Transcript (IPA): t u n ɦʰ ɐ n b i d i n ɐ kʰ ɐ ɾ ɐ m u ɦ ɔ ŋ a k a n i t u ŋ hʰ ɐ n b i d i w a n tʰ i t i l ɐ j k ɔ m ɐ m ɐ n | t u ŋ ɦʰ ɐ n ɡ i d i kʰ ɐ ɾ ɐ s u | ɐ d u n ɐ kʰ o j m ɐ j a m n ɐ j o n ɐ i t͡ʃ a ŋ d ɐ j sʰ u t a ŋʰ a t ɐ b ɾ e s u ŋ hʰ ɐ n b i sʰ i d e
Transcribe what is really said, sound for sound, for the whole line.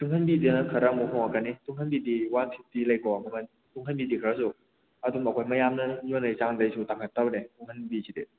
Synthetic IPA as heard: t u ŋ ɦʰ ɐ n b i d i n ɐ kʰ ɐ ɾ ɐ m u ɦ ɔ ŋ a k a n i t u ŋ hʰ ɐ n b i d i w a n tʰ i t i l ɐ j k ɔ m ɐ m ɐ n | t u ŋ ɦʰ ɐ n b i d i kʰ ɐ ɾ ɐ s u | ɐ d u m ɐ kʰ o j m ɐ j a m n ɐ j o n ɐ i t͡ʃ a ŋ d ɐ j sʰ u t a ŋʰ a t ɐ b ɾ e t u ŋ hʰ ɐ n b i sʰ i d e